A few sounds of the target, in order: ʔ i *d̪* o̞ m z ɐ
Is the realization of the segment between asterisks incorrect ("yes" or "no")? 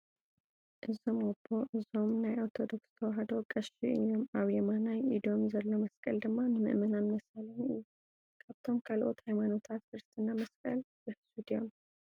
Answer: no